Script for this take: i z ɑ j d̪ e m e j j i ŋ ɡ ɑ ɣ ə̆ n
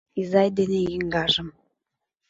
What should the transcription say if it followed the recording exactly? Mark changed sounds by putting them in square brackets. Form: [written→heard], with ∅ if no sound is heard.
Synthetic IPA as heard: i z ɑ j d̪ e [m→n] e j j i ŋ ɡ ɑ [ɣ→ʒ] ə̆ [n→m]